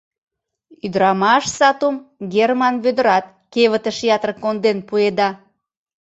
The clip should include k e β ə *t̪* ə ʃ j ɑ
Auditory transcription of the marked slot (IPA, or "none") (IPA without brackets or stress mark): t̪